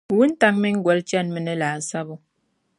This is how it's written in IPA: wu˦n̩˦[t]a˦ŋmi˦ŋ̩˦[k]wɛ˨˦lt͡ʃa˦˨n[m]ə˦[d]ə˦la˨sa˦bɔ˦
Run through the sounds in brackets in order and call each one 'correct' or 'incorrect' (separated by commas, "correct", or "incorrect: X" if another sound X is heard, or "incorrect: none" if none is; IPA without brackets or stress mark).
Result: correct, incorrect: ɡ, correct, incorrect: n